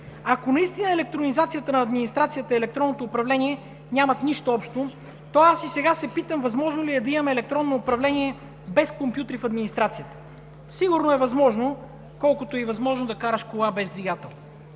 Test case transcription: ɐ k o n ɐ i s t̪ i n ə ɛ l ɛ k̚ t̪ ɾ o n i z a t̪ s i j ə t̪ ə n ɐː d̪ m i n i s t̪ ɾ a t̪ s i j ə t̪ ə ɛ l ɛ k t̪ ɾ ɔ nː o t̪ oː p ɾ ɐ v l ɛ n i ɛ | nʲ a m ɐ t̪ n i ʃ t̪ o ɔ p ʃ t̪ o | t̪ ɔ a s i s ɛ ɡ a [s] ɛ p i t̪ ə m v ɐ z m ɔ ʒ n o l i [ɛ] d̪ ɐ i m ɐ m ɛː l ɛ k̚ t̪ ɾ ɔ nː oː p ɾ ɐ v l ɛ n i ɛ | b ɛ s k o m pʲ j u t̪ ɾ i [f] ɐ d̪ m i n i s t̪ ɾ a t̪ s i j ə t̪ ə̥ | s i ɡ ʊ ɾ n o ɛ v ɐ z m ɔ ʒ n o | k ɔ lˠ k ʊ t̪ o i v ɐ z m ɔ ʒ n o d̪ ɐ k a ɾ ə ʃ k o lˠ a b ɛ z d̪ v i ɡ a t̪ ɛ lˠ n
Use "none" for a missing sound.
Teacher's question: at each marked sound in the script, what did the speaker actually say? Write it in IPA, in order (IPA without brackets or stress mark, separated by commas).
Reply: s, ɛ, f